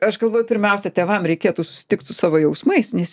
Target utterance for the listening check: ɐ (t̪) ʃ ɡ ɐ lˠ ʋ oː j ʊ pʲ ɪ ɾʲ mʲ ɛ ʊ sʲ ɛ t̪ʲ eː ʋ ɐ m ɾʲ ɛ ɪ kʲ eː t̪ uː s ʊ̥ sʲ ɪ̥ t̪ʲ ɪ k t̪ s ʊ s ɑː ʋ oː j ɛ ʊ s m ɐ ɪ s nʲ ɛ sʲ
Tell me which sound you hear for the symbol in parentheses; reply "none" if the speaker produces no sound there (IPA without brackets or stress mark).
none